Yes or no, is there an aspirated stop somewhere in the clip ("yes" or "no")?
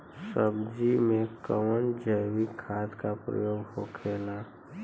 yes